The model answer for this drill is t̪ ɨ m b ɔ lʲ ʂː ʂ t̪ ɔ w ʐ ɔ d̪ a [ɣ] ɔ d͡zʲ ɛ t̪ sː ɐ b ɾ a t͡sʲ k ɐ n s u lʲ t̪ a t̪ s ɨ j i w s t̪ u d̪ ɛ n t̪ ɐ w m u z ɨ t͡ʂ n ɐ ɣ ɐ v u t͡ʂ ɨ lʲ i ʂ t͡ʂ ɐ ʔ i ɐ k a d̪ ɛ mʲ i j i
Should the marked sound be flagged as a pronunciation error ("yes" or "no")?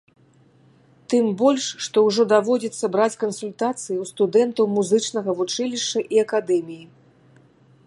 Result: yes